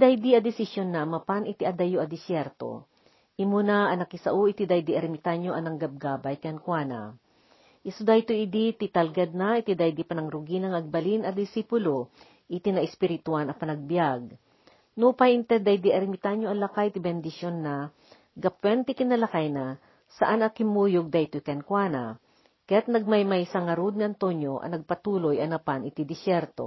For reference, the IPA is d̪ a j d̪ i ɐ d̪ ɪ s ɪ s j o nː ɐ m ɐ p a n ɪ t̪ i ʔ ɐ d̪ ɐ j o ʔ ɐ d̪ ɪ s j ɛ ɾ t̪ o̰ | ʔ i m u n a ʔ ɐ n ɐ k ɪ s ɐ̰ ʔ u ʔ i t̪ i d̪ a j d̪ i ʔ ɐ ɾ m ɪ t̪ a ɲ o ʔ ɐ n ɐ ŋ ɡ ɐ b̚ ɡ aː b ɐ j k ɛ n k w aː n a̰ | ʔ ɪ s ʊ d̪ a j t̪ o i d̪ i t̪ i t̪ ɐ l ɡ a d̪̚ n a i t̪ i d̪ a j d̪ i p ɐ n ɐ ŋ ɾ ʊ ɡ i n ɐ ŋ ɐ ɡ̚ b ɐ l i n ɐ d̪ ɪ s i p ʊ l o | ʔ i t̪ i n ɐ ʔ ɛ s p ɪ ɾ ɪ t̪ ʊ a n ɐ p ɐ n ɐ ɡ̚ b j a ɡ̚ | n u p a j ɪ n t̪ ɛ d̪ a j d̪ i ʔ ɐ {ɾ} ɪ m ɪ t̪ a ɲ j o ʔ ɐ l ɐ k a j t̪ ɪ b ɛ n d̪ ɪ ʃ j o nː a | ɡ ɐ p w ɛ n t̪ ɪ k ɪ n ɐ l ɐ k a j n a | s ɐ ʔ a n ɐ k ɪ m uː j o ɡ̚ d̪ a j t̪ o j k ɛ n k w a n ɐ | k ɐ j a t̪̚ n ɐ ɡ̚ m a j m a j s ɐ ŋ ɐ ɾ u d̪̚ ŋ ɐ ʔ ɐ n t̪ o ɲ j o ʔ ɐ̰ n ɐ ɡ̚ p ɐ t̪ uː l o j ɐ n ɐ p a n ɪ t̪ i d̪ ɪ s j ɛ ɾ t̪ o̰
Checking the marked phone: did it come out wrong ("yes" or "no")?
no